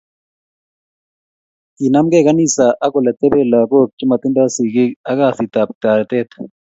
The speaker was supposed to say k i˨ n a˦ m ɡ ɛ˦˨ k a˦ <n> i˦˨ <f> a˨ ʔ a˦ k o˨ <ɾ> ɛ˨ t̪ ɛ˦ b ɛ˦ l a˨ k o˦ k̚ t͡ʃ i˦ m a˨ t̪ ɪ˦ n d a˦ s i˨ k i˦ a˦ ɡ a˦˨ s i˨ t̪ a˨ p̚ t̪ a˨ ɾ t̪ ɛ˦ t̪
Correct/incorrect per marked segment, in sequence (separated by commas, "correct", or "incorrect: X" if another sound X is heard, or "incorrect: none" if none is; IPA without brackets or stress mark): correct, incorrect: s, incorrect: l